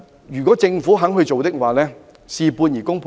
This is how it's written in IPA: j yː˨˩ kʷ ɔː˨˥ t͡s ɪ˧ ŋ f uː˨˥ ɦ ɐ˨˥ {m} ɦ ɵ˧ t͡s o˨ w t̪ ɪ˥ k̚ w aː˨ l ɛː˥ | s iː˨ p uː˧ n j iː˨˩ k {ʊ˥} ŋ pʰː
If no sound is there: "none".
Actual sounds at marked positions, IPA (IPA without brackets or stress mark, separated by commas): ŋ, ʊ˥